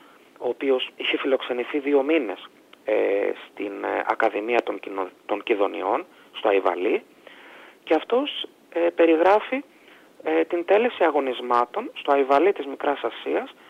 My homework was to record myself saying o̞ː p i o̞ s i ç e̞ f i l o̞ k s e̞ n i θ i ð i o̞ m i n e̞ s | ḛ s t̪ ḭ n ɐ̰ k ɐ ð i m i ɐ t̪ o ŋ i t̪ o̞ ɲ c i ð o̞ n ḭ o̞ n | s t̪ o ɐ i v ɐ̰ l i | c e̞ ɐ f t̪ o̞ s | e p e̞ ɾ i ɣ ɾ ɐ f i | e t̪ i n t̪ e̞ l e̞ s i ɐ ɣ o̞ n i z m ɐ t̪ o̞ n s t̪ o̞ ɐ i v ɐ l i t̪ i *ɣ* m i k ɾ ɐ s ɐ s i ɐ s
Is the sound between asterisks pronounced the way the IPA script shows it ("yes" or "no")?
no